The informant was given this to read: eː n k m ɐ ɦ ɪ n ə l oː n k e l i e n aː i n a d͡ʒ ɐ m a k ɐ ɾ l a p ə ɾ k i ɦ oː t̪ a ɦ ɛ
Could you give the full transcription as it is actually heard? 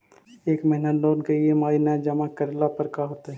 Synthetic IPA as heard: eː k m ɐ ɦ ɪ n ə l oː n k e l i e m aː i n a d͡ʒ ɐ m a k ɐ ɾ l a p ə ɾ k a ɦ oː t̪ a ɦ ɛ